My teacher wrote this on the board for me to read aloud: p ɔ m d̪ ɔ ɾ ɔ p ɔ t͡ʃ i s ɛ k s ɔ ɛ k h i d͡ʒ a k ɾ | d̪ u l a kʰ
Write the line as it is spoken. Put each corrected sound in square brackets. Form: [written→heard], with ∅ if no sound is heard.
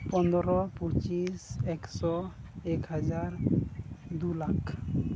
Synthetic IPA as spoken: p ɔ [m→n] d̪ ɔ ɾ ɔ p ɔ t͡ʃ i s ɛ k s ɔ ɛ k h [i→a] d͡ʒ a [k→∅] ɾ | d̪ u l a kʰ